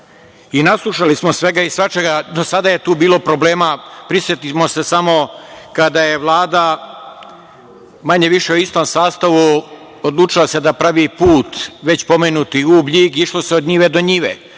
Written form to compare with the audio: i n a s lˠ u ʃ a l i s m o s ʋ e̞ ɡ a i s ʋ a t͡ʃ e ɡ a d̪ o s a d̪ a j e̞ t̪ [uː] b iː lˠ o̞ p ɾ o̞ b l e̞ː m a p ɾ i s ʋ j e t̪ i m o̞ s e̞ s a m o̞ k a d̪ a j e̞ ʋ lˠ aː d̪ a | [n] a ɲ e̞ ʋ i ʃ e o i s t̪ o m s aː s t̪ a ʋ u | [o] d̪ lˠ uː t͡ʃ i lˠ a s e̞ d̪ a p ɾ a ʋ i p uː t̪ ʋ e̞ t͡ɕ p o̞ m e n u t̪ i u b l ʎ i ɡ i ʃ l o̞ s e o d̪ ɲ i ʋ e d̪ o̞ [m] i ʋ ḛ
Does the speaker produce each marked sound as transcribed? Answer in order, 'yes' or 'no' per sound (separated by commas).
yes, no, yes, no